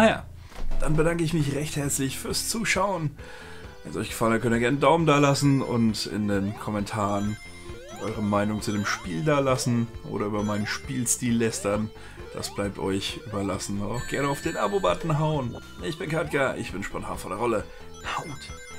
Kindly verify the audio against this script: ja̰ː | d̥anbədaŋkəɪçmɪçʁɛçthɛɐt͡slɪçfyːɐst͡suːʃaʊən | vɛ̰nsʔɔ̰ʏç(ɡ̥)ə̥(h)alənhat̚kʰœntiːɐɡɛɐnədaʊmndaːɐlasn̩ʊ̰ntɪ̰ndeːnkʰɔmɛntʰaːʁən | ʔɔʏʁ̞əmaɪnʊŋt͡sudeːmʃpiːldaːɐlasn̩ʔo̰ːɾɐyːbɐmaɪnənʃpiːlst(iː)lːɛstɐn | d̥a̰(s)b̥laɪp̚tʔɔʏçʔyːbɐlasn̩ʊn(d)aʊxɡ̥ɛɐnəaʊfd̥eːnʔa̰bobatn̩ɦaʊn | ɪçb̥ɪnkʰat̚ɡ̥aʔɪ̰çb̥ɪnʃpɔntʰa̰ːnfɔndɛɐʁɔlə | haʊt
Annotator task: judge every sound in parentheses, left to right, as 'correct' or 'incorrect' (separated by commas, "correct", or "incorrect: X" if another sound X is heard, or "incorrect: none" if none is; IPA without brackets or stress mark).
correct, incorrect: f, correct, correct, incorrect: t